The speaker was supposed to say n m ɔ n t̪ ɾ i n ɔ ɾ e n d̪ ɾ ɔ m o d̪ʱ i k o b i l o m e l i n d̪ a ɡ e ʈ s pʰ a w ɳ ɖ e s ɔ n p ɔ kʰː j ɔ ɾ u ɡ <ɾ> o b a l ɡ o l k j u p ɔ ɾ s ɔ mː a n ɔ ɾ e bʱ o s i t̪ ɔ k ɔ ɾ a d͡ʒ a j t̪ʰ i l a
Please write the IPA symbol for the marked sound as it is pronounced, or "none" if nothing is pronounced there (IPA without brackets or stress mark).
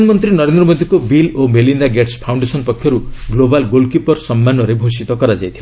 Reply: l